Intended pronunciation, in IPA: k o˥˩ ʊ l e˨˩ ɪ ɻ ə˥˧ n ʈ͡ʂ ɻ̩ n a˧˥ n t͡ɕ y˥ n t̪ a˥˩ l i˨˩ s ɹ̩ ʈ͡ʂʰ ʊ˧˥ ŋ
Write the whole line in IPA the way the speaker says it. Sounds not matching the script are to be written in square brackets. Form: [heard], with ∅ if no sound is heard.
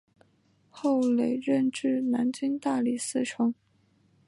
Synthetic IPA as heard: [x] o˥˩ ʊ l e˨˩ ɪ ɻ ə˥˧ n ʈ͡ʂ ɻ̩ n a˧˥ n t͡ɕ y˥ n t̪ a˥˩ l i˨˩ s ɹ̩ ʈ͡ʂʰ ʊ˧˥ ŋ